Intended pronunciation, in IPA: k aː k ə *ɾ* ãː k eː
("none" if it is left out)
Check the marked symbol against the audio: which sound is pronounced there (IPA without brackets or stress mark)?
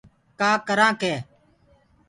ɾ